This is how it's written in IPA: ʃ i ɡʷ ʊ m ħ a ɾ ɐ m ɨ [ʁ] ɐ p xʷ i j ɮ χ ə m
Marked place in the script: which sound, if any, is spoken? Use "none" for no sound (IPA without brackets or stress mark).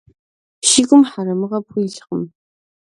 ʁ